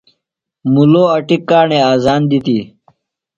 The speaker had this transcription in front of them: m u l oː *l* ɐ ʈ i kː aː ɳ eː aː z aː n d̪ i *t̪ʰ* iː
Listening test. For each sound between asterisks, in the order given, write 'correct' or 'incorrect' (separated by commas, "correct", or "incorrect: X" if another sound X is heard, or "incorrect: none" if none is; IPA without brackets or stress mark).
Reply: incorrect: none, incorrect: t̪